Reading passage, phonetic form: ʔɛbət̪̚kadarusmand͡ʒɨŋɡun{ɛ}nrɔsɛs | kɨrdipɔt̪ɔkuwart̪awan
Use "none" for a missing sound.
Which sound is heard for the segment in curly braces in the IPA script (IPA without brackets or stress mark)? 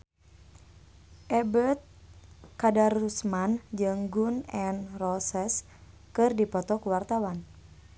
ɛ